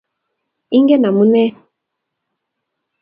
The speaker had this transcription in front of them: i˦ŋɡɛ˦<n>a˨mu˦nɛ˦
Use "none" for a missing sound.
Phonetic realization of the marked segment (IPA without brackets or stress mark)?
n